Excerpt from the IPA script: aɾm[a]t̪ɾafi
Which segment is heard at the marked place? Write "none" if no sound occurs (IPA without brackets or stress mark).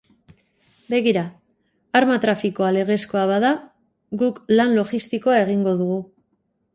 a